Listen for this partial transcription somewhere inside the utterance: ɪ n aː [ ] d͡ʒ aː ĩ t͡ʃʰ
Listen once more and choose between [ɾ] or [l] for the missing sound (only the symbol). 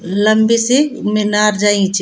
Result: ɾ